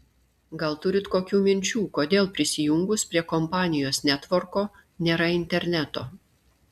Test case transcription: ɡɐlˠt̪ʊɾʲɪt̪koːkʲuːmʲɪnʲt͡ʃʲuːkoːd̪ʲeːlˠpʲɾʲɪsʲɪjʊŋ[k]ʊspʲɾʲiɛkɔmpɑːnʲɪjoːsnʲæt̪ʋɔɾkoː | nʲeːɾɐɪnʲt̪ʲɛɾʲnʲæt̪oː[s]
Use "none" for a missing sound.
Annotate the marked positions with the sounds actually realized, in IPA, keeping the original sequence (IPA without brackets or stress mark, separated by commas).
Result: ɡ, none